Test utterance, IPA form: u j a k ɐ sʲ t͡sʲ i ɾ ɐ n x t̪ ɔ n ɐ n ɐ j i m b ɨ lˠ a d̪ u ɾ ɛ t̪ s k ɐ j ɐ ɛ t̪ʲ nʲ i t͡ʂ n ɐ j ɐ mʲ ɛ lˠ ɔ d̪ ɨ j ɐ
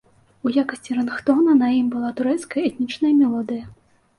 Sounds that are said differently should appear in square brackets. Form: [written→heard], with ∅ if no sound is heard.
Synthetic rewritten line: u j a k ɐ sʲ t͡sʲ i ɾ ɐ n x t̪ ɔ n ɐ n ɐ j i m b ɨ lˠ a [d̪→t̪] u ɾ ɛ t̪ s k ɐ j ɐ ɛ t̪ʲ nʲ i t͡ʂ n ɐ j ɐ mʲ ɛ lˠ ɔ d̪ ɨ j ɐ